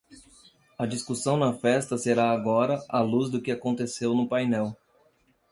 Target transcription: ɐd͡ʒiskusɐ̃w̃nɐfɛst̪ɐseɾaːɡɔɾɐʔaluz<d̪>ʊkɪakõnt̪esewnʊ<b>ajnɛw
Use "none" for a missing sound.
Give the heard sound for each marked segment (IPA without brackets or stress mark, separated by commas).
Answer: d̪, p